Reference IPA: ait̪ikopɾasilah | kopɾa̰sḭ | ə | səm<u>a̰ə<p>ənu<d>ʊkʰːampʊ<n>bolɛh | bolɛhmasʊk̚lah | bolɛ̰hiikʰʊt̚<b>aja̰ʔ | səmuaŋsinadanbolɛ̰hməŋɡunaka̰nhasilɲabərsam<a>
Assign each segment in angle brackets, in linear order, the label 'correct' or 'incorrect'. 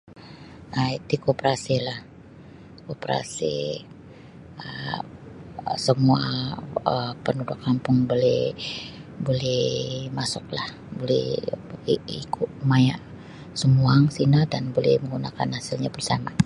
correct, correct, correct, incorrect, incorrect, correct

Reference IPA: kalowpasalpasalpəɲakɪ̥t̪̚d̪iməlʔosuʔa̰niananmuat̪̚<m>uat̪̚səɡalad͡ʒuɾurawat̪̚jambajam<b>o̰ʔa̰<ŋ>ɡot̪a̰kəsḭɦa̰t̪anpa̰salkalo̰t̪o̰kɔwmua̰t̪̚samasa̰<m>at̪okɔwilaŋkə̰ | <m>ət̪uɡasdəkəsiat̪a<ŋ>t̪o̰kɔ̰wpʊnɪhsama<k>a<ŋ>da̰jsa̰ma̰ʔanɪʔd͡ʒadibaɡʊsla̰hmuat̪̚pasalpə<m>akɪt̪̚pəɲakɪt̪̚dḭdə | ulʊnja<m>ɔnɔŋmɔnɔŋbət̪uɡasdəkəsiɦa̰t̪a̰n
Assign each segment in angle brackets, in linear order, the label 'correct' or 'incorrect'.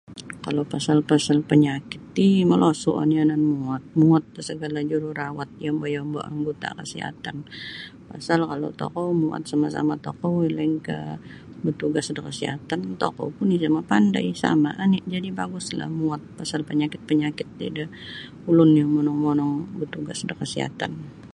correct, correct, correct, correct, incorrect, incorrect, incorrect, incorrect, incorrect, correct

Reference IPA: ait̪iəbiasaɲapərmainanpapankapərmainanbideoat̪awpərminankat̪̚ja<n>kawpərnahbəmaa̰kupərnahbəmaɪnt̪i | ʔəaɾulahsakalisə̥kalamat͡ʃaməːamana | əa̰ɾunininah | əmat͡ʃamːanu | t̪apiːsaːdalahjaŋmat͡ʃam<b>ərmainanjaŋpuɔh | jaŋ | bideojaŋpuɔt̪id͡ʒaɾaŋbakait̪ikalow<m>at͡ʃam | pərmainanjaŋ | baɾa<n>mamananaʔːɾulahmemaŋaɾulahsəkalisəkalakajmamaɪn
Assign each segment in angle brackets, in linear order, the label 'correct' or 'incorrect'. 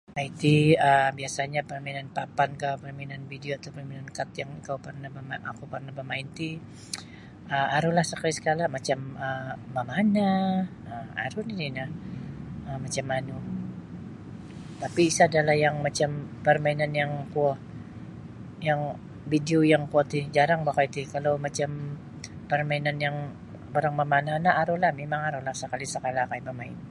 incorrect, incorrect, correct, incorrect

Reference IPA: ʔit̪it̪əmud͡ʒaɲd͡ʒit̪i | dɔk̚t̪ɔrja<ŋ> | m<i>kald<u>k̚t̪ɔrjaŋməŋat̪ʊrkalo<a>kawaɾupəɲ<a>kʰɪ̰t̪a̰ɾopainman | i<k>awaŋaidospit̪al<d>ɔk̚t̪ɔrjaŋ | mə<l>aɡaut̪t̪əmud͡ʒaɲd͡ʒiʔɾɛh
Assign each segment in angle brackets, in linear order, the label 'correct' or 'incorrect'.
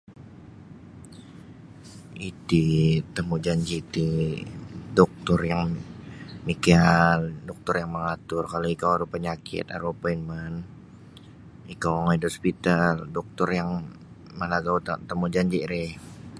correct, correct, incorrect, incorrect, correct, correct, correct, correct

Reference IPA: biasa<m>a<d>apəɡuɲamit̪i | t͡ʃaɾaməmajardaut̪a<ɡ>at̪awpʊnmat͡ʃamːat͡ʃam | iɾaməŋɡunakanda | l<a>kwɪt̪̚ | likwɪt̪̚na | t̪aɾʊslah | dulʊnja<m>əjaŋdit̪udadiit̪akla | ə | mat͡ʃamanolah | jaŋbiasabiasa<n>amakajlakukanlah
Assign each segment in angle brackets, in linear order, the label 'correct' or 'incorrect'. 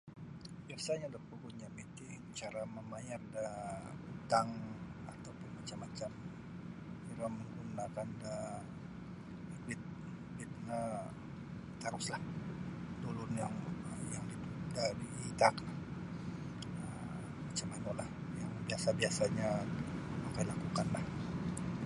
incorrect, correct, incorrect, incorrect, incorrect, incorrect

